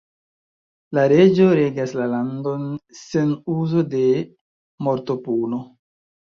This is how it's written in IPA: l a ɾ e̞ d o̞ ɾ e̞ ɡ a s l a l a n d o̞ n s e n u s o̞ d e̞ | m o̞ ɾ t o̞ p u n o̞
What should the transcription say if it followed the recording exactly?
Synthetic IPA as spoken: l a ɾ e̞ d͡ʒ o̞ ɾ e̞ ɡ a s l a l a n d o̞ n s e n u z o̞ d e̞ | m o̞ ɾ t o̞ p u n o̞